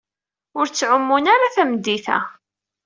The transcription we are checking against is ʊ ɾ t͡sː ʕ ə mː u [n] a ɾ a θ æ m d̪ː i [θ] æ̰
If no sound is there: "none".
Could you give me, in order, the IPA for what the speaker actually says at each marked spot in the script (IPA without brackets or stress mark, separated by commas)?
n, θ